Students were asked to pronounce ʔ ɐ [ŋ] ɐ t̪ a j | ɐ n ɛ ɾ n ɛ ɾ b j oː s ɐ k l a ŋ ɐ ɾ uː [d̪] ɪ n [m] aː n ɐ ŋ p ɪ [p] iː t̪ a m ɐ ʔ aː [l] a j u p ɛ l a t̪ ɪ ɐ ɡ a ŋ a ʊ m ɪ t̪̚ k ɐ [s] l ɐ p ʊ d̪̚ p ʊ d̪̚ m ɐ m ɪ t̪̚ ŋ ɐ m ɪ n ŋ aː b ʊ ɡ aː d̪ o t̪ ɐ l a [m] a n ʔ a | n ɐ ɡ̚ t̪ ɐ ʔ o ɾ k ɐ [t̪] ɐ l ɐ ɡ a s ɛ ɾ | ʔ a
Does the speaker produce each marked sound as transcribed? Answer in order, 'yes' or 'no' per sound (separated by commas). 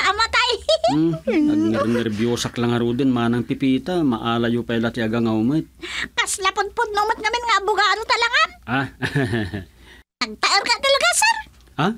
no, yes, yes, yes, yes, yes, no, yes